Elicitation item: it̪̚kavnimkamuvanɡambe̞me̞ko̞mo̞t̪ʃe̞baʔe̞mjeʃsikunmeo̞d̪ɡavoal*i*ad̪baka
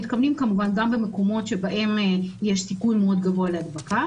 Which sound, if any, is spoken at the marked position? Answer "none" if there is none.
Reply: e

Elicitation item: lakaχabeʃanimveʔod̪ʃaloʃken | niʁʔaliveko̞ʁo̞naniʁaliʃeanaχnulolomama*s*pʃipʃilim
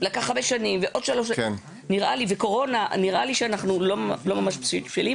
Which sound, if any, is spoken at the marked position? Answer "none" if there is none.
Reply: ʃ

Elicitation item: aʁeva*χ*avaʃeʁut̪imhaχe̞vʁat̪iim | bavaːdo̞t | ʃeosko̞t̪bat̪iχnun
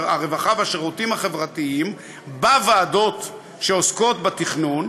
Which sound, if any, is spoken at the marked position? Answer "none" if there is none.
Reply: χ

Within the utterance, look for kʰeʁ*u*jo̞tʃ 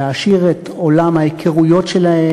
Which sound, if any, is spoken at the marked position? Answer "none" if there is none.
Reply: u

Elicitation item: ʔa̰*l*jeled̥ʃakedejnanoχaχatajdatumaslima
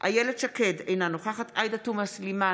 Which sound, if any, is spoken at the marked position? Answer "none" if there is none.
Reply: none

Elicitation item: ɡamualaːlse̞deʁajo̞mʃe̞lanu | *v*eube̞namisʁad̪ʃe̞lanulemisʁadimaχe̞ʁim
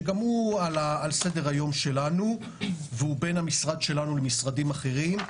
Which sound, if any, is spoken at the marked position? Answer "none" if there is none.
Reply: v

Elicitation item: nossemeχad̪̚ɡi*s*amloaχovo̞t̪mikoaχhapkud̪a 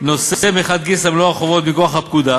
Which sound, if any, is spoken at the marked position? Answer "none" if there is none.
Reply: s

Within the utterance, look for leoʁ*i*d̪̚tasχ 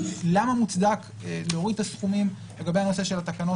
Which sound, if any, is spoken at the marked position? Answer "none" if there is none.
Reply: i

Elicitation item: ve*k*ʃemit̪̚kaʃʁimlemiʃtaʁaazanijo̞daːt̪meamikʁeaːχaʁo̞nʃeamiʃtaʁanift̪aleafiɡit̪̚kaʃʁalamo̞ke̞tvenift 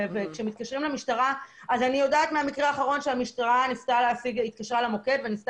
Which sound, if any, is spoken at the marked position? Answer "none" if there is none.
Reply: k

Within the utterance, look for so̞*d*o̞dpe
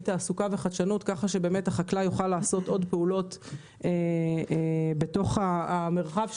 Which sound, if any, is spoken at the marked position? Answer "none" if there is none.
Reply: t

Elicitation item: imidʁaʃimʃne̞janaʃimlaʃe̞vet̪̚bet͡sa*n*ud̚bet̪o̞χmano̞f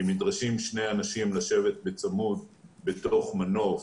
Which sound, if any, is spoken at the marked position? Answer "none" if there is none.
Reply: m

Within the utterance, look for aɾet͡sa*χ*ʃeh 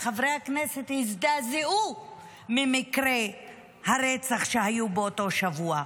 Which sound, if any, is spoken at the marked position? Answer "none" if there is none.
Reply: χ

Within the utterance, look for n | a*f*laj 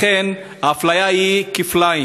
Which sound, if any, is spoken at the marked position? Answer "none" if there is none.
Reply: f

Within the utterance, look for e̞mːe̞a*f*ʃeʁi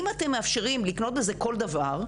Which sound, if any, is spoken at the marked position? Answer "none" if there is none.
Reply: f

